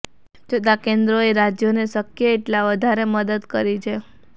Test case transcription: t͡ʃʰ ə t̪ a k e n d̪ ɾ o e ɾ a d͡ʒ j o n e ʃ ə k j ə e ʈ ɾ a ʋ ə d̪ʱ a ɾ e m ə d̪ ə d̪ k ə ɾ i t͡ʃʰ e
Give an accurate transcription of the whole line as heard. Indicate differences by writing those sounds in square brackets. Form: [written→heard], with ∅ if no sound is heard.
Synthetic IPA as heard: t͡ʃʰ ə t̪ a k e n d̪ ɾ o e ɾ a d͡ʒ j o n e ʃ ə k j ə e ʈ [ɾ→l] a ʋ ə d̪ʱ a ɾ e m ə d̪ ə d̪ k ə ɾ i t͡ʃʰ e